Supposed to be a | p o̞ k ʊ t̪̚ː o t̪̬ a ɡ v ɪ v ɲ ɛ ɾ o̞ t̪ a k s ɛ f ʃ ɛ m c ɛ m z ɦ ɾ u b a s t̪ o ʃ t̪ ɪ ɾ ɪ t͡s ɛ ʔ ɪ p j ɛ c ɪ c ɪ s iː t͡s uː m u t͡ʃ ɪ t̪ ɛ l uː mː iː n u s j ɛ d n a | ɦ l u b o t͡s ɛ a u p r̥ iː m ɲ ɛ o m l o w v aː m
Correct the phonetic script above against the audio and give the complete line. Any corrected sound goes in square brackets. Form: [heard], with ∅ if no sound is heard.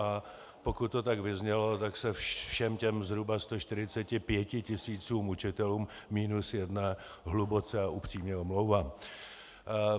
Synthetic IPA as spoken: a | p o̞ k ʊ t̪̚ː o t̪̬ a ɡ v ɪ [z] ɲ ɛ [l] o̞ t̪ a k s ɛ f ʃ ɛ m c ɛ m z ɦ ɾ u b a s t̪ o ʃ t̪ ɪ ɾ ɪ t͡s ɛ [c] ɪ p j ɛ c ɪ c ɪ s iː t͡s uː m u t͡ʃ ɪ t̪ ɛ l uː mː iː n u s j ɛ d n a | ɦ l u b o t͡s ɛ a u p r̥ iː m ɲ ɛ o m l o w v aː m